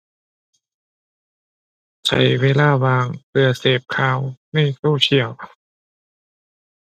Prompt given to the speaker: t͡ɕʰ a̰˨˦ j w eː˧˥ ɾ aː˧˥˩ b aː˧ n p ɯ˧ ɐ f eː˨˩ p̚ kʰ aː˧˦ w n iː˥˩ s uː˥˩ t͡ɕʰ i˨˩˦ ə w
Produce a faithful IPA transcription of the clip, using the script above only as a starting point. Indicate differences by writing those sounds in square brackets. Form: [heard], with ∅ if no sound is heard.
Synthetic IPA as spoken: t͡ɕʰ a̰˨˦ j w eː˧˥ [l] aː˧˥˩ [w] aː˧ [ŋ] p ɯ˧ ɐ [s] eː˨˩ p̚ kʰ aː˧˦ w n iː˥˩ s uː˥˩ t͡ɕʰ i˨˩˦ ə w

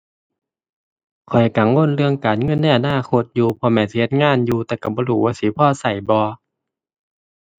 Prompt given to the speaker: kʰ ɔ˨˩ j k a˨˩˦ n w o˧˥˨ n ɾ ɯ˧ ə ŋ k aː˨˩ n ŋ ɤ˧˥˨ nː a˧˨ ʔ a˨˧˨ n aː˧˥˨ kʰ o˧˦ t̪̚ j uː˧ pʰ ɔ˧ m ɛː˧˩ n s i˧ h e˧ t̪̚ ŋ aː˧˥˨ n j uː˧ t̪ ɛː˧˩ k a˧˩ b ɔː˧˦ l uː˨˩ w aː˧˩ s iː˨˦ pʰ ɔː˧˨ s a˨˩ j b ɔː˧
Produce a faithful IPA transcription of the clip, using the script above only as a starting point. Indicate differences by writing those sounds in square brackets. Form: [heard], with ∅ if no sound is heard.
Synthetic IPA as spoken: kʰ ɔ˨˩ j k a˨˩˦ [ŋ] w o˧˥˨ n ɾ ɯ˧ ə ŋ k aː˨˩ n ŋ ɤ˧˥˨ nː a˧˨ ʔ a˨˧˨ n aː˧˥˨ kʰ o˧˦ t̪̚ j uː˧ pʰ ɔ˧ m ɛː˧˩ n s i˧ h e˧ t̪̚ ŋ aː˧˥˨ n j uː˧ t̪ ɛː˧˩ k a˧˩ b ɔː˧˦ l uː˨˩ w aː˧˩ s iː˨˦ pʰ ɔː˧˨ s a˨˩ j b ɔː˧

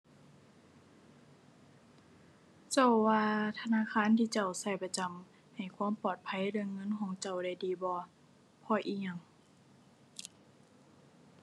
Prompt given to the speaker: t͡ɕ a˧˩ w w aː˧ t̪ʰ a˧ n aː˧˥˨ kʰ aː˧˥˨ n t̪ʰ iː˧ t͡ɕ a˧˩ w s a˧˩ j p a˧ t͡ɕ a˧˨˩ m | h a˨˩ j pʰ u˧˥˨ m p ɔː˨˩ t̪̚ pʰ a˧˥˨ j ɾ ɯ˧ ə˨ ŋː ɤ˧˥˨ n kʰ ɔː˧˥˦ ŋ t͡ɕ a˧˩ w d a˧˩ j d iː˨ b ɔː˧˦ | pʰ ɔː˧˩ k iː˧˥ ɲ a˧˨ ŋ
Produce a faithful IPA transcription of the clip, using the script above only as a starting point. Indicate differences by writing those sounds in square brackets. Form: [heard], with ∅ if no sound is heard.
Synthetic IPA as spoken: t͡ɕ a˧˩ w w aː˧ t̪ʰ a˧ n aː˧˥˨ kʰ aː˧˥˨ n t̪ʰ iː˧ t͡ɕ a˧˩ w s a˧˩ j p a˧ t͡ɕ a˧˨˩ m | h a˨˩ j [kʰ] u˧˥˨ m p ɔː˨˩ t̪̚ pʰ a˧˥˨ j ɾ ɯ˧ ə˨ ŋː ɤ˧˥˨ n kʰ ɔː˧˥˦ ŋ t͡ɕ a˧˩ w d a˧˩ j d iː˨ b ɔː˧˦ | pʰ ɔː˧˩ [ʔ] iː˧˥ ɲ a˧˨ ŋ

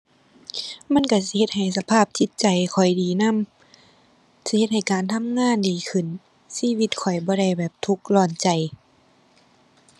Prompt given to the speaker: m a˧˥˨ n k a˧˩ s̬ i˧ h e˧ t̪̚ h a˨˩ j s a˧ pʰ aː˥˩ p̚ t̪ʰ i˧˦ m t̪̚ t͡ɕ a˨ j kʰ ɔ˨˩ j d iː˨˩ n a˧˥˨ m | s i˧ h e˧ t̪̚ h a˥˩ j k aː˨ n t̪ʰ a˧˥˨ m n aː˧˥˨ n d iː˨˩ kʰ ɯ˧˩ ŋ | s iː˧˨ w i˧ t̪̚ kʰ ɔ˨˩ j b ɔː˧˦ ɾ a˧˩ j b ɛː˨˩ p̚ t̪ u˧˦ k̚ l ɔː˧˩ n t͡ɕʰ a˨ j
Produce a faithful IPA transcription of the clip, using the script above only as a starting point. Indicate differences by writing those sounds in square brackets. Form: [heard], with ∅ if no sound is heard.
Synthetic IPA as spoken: m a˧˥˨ n k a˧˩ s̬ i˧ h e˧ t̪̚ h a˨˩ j s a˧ pʰ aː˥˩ p̚ t̪ʰ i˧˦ [∅] t̪̚ t͡ɕ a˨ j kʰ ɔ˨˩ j d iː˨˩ n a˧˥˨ m | s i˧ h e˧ t̪̚ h [a˨˩] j k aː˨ n t̪ʰ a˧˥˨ m [ŋ] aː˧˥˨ n d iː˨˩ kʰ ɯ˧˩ [n] | s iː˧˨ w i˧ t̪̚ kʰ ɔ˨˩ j b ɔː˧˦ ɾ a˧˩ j b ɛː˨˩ p̚ [t̪ʰ] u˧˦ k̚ l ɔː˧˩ n [t͡ɕ] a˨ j

